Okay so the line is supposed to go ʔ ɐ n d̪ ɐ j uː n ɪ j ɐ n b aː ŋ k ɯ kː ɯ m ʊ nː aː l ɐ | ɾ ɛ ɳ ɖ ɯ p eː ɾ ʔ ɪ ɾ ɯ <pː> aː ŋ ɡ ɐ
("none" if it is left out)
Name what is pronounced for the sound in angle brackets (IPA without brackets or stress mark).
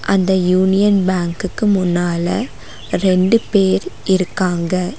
kː